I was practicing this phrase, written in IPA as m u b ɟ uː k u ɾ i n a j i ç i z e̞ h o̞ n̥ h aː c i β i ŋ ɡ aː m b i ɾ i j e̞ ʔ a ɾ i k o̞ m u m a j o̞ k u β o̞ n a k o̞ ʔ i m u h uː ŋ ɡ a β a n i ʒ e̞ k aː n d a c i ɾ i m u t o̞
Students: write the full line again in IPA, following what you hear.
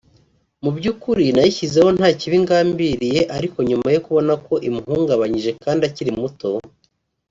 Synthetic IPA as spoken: m u b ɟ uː k u ɾ i n a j i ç i z e̞ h o̞ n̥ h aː c i β i ŋ ɡ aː m b i ɾ i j e̞ ʔ a ɾ i k o̞ ɲ u m a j o̞ k u β o̞ n a k o̞ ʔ i m u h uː ŋ ɡ a β a ɲ i ʒ e̞ k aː n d a c i ɾ i m u t o̞